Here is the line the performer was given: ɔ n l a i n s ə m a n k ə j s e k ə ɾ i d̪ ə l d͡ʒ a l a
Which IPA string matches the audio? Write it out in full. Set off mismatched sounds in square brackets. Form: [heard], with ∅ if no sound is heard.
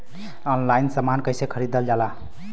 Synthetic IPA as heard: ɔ n l a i n s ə m a n k ə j s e [kʰ] ə ɾ i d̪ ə l d͡ʒ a l a